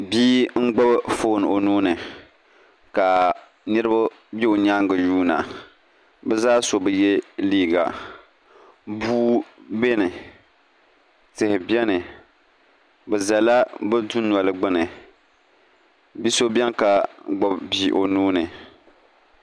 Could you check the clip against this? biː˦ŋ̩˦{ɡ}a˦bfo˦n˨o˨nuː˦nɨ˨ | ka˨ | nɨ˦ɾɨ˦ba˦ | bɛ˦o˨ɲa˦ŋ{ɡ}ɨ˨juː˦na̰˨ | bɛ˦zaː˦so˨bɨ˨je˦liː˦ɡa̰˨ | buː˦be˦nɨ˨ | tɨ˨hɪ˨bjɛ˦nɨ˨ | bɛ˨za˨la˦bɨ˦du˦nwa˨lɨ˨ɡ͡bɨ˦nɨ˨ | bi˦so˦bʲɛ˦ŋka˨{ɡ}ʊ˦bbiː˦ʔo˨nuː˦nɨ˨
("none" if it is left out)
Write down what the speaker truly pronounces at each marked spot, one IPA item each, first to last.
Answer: ɡ͡b, ɡ, ɡ͡b

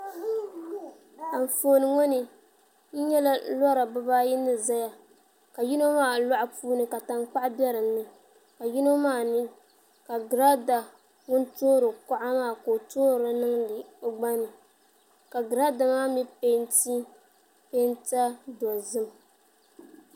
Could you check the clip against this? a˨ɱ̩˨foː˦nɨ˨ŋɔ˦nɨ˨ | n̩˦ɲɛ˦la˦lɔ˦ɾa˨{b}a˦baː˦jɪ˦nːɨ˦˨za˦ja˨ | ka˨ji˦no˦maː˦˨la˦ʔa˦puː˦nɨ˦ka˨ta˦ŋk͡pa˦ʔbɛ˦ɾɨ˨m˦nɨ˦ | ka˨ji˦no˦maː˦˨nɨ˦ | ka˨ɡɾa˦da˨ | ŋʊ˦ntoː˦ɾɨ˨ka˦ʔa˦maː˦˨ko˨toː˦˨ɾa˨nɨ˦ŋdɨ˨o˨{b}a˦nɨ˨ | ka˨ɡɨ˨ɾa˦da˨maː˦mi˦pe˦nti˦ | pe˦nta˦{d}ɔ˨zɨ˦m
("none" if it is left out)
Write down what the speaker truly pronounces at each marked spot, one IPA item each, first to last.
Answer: b, ɡ͡b, d

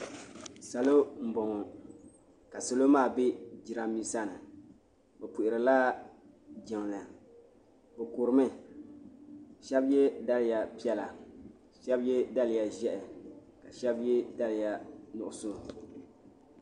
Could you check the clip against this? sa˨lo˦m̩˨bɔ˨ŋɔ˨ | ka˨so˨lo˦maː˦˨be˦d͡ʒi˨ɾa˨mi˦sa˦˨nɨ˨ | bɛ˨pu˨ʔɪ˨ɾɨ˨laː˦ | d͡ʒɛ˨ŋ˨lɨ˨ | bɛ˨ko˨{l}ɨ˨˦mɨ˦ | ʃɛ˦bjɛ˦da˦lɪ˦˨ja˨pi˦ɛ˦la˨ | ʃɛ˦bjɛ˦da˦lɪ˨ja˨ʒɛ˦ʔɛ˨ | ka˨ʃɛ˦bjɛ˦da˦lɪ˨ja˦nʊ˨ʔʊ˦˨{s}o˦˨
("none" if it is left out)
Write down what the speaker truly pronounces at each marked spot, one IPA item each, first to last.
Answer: ɾ, s

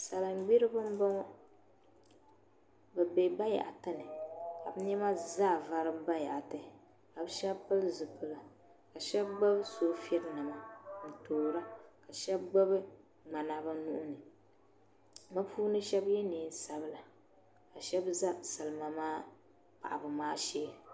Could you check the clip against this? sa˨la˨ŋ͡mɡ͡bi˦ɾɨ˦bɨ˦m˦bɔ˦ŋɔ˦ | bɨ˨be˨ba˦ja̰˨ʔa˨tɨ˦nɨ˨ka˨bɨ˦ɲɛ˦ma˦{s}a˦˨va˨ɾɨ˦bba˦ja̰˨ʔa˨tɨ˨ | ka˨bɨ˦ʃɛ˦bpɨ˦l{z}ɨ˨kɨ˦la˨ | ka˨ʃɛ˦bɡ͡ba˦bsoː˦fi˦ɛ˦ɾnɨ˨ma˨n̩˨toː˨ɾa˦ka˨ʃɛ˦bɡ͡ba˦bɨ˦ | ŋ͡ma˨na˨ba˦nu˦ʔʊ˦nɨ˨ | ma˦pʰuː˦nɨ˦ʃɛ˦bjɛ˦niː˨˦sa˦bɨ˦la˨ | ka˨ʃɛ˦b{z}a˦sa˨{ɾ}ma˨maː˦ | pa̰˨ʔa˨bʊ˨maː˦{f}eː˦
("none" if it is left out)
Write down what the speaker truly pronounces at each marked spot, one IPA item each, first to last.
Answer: z, z, z, l, ʃ

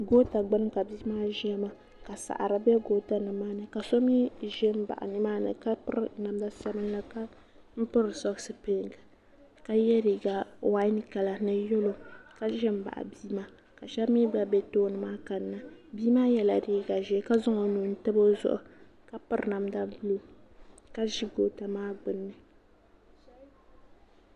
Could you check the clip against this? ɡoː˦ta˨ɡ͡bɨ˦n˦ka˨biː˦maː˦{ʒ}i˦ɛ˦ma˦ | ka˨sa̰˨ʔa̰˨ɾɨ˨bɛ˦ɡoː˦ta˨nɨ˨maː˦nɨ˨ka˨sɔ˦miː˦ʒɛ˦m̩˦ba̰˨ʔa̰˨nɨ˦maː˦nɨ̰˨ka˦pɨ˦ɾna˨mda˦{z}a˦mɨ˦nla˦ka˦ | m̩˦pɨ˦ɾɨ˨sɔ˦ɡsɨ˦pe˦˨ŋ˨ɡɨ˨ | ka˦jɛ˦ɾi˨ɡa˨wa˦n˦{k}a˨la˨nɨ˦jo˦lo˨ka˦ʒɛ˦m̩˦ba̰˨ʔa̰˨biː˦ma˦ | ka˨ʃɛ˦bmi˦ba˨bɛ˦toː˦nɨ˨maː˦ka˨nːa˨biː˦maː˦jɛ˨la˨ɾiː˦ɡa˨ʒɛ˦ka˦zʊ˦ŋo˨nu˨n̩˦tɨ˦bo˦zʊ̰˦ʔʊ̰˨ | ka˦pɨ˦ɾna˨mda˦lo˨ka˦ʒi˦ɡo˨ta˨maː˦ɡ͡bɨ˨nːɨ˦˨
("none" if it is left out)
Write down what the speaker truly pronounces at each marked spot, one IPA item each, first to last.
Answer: ʒ, s, k

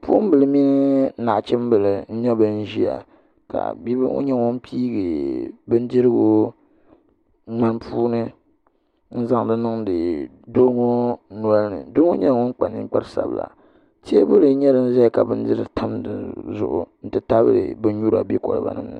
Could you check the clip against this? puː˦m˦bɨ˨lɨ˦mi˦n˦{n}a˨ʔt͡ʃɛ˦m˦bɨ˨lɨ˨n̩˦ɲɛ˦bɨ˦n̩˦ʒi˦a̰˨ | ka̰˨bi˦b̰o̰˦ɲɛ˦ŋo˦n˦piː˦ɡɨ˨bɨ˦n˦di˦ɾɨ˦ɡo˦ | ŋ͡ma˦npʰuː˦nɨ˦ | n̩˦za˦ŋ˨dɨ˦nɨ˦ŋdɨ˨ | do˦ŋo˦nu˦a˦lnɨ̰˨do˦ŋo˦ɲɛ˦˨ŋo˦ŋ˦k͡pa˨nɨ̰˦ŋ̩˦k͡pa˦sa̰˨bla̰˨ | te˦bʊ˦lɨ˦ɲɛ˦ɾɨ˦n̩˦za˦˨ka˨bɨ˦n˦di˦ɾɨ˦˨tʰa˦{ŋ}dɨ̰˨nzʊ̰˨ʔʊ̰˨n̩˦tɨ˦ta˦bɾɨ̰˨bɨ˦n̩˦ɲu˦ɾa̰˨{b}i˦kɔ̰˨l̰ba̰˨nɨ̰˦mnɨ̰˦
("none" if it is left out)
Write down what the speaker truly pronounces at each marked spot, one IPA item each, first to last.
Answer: n, m, b

